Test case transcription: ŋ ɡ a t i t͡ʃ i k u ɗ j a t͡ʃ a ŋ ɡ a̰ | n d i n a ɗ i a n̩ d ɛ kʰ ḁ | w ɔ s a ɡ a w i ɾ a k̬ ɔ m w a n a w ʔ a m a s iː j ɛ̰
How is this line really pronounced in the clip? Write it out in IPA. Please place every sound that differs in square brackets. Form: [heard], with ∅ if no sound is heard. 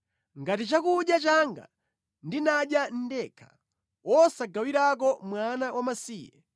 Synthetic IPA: ŋ ɡ a t i t͡ʃ [a] k u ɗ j a t͡ʃ a ŋ ɡ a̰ | n d i n a ɗ [j] a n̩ d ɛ kʰ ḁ | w ɔ s a ɡ a w i ɾ a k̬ ɔ m w a n a w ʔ a m a s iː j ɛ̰

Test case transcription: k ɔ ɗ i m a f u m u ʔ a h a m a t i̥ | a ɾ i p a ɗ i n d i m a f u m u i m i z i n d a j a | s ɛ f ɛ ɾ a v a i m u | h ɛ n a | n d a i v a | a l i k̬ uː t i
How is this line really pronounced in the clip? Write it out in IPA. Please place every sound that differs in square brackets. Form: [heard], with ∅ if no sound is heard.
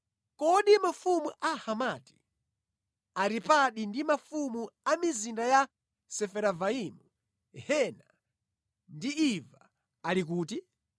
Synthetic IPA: k ɔ ɗ i m a f u m u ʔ a h a m a t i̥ | a ɾ i p a ɗ i n d i m a f u m u [a] m i z i n d a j a | s ɛ f ɛ ɾ a v a i m u | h ɛ n a | n d [i] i v a | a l i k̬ uː t i

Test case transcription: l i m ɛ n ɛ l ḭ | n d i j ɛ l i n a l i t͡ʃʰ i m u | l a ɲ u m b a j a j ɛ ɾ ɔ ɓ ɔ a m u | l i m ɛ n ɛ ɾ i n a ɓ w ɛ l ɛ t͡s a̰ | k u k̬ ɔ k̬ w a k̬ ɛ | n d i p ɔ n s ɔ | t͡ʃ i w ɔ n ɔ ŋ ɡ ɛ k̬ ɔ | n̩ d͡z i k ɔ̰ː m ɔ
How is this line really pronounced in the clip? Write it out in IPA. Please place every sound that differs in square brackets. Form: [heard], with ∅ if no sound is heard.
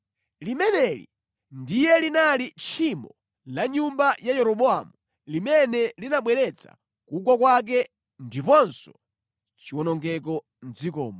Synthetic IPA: l i m ɛ n ɛ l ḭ | n d i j ɛ l i n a l i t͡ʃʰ i m [ɔ] | l a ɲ u m b a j a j ɛ ɾ ɔ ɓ ɔ a m u | l i m ɛ n ɛ [l] i n a ɓ w ɛ [ɾ] ɛ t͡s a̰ | k u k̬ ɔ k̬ w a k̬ ɛ | n d i p ɔ n s ɔ | t͡ʃ i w ɔ n ɔ ŋ ɡ ɛ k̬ ɔ | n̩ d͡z i k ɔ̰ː m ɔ

